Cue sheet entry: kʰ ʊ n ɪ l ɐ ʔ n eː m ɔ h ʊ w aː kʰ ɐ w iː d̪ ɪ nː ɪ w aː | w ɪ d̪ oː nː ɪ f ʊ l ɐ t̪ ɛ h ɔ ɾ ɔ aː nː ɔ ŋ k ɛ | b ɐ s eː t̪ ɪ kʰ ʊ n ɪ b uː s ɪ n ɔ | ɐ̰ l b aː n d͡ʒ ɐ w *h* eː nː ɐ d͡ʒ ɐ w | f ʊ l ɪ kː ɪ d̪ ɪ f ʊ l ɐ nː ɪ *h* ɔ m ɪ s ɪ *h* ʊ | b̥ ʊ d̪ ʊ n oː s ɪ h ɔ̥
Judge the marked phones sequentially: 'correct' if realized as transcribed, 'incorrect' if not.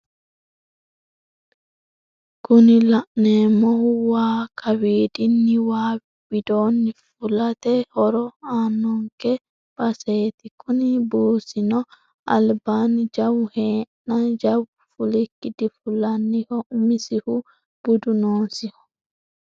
correct, correct, correct

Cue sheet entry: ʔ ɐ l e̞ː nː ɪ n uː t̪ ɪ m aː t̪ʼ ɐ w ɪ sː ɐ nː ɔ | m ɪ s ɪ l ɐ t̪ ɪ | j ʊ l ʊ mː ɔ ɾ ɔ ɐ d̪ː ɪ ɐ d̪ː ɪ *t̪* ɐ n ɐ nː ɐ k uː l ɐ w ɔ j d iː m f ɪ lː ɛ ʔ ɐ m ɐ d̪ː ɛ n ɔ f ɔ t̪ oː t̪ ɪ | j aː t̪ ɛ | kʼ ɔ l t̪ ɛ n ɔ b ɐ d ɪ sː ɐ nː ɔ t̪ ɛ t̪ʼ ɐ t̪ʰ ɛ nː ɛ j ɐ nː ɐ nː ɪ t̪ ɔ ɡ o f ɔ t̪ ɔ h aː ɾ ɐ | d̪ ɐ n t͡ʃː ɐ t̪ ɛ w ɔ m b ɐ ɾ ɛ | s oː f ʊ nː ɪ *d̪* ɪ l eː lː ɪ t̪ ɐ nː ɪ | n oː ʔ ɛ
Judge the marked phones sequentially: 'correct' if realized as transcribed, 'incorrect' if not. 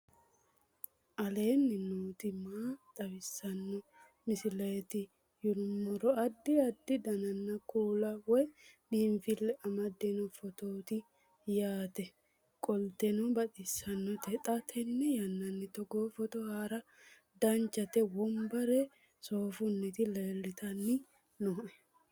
incorrect, incorrect

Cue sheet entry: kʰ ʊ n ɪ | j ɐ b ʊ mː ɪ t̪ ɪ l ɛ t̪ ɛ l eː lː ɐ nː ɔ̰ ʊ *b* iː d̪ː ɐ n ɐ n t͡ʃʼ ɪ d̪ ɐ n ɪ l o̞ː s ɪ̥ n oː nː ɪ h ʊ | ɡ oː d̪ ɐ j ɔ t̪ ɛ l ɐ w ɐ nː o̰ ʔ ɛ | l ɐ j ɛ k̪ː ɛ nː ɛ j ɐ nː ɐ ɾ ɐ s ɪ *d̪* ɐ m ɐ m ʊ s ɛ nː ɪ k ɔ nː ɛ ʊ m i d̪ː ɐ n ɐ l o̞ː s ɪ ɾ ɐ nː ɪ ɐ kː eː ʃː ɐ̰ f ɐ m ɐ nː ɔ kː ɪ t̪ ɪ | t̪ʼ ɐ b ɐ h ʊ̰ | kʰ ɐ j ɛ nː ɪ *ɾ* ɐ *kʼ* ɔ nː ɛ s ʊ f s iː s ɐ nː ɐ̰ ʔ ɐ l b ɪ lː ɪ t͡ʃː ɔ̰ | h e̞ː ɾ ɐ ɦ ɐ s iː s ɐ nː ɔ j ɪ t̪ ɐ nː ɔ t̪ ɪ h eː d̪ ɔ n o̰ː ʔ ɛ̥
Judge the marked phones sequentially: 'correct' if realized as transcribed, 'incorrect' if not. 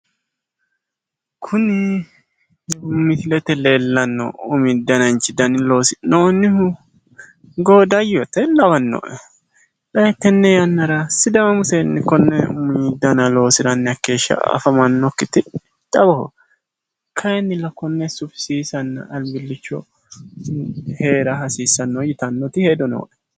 incorrect, correct, incorrect, incorrect

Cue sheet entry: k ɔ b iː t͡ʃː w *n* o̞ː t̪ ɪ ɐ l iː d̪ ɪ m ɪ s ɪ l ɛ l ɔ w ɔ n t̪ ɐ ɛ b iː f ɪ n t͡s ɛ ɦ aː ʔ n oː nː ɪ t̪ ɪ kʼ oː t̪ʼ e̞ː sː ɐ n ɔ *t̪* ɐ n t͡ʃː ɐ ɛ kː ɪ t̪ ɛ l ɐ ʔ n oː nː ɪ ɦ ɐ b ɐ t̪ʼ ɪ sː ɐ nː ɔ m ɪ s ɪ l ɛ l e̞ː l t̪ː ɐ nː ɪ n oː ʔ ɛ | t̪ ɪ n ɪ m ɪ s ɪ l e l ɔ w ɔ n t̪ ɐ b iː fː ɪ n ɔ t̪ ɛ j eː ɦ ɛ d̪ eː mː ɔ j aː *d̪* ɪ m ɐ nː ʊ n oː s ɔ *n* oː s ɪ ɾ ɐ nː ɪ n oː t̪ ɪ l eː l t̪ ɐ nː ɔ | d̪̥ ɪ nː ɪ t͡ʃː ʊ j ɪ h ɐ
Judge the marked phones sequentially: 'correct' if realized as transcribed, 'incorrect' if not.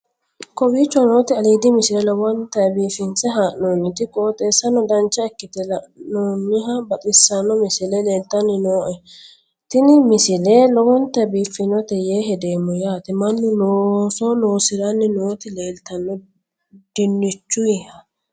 correct, incorrect, incorrect, correct

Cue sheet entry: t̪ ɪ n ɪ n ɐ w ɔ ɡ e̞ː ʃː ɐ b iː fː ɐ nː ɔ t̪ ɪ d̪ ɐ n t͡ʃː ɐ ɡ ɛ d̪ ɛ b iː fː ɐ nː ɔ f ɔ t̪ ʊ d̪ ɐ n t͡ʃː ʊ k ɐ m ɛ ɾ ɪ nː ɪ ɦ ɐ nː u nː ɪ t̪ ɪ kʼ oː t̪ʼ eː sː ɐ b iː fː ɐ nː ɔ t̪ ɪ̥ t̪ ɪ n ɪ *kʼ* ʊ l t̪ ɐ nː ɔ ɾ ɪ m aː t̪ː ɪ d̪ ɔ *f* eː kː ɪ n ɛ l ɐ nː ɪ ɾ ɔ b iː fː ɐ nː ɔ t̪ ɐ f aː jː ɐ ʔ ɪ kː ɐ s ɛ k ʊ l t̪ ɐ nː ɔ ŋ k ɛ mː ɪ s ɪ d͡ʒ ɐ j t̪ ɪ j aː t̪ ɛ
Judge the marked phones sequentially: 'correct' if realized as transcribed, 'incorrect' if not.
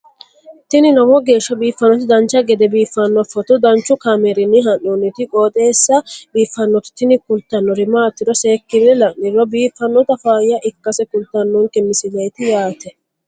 incorrect, incorrect

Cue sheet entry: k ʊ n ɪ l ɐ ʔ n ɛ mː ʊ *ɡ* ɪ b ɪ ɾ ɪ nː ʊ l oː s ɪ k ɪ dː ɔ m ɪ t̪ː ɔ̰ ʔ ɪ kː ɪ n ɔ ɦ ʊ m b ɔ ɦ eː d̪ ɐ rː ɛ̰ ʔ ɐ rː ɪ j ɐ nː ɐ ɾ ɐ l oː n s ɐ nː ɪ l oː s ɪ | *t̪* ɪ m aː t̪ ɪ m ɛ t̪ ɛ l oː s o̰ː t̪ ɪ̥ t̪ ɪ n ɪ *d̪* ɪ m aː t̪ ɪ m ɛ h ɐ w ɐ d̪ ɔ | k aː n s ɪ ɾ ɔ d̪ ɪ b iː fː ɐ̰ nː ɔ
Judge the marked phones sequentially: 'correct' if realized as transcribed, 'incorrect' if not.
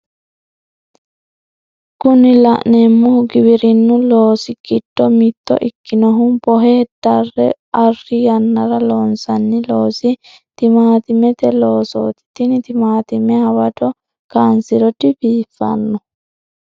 correct, correct, incorrect

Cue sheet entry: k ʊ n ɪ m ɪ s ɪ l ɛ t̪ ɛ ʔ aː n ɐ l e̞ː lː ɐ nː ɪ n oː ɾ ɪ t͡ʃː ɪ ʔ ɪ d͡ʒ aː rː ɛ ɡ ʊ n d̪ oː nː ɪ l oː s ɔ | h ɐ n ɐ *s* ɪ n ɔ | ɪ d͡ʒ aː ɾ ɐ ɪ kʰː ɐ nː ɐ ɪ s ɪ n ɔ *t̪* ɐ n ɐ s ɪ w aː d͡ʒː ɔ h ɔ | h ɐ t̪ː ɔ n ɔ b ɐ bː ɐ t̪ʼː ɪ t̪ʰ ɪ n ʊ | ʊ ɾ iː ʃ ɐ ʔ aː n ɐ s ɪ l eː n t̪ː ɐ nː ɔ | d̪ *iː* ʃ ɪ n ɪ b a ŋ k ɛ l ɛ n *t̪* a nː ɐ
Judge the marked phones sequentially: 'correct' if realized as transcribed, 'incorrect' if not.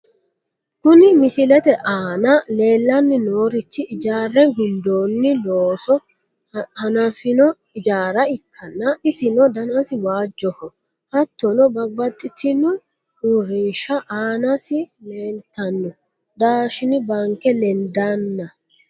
incorrect, incorrect, incorrect, incorrect

